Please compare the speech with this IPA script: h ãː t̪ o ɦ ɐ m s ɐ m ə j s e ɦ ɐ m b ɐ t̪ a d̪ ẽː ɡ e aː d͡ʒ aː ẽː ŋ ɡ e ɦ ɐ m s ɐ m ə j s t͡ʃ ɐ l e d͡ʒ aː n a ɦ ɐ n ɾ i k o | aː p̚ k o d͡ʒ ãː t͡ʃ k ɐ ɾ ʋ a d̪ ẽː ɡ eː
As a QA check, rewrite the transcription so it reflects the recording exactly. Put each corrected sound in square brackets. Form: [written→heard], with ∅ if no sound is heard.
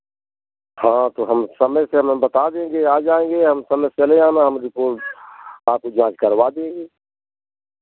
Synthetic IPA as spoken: h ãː t̪ o ɦ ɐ m s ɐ m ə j s e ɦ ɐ m b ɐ t̪ a d̪ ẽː ɡ e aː d͡ʒ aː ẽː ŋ ɡ e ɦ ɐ m s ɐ m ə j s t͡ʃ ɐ l e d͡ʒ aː n a ɦ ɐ [n→m] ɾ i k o | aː p̚ k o d͡ʒ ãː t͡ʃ k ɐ ɾ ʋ a d̪ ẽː ɡ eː

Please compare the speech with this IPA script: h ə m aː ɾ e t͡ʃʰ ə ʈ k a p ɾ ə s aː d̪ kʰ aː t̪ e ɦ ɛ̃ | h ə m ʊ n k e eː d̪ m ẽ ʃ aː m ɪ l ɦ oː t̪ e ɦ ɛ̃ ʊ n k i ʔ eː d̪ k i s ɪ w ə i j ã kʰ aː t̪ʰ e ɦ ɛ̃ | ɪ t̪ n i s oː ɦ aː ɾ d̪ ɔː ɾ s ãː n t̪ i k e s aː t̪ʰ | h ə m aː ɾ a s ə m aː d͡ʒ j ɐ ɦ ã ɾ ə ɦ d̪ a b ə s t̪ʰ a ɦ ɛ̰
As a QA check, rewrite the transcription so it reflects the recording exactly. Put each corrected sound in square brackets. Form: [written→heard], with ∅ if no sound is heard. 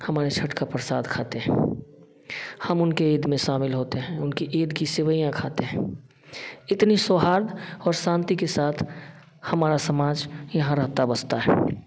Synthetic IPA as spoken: h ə m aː ɾ e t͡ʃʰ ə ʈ k a p ɾ ə s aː d̪ kʰ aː t̪ e ɦ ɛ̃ | h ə m ʊ n k e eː d̪ m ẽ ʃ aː m ɪ l ɦ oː t̪ e ɦ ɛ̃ ʊ n k i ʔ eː d̪ k i s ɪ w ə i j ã kʰ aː [t̪ʰ→t̪] e ɦ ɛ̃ | ɪ t̪ n i s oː ɦ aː ɾ d̪ ɔː ɾ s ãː n t̪ i k e s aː t̪ʰ | h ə m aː ɾ a s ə m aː d͡ʒ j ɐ ɦ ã ɾ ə ɦ [d̪→t̪] a b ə s [t̪ʰ→t̪] a ɦ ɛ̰

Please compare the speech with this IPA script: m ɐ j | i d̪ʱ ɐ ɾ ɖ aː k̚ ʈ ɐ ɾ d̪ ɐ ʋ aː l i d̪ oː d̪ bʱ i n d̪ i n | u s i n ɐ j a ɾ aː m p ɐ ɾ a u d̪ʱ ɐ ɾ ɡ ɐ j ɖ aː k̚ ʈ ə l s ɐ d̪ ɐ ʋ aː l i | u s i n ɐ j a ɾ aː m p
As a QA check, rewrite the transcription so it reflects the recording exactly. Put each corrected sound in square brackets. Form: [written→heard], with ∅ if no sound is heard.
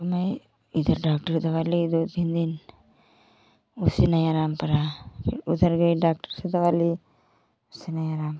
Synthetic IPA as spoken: m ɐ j | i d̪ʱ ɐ ɾ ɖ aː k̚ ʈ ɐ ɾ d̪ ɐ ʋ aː l i d̪ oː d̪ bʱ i n d̪ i n | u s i n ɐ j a ɾ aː m p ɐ ɾ a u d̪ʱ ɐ ɾ ɡ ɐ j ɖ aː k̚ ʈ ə [l→ɾ] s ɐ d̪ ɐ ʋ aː l i | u s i n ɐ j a ɾ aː m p

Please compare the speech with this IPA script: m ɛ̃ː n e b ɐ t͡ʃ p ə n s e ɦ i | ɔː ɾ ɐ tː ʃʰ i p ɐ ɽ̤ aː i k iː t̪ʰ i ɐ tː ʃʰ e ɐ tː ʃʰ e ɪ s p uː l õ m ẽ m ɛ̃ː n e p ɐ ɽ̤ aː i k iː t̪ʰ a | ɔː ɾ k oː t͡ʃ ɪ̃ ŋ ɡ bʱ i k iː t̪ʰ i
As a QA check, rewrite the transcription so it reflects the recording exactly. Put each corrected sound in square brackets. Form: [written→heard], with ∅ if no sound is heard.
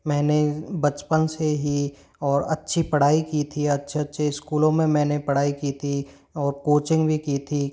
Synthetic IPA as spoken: m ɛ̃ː n e b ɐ t͡ʃ p ə n s e ɦ i | ɔː ɾ ɐ tː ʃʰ i p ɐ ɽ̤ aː i k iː t̪ʰ i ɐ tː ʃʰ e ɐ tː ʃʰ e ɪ s [p→k] uː l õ m ẽ m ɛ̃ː n e p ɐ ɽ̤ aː i k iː t̪ʰ [a→i] | ɔː ɾ k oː t͡ʃ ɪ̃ ŋ ɡ bʱ i k iː t̪ʰ i

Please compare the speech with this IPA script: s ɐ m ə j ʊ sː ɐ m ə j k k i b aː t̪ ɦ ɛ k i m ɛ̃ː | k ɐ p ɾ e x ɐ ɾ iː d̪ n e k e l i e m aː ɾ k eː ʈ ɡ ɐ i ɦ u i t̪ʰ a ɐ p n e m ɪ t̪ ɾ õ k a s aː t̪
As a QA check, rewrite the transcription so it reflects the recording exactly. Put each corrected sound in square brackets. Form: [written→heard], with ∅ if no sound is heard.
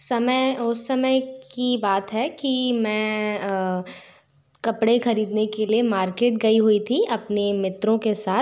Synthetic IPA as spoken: s ɐ m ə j ʊ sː ɐ m ə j k k i b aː t̪ ɦ ɛ k i m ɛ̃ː | k ɐ p [ɾ→ɽ] e x ɐ ɾ iː d̪ n e k e l i e m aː ɾ k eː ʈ ɡ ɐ i ɦ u i t̪ʰ [a→i] ɐ p n e m ɪ t̪ ɾ õ k [a→e] s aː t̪

